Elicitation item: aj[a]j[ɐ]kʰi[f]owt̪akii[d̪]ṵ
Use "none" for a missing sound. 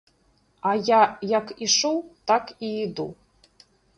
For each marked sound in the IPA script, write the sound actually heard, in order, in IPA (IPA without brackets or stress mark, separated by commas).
a, a, ʂ, d̪